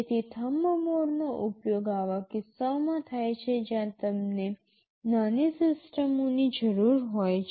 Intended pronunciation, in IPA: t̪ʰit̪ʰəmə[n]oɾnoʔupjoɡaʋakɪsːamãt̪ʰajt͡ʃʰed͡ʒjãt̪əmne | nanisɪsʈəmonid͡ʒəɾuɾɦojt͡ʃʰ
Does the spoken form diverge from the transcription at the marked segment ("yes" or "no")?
yes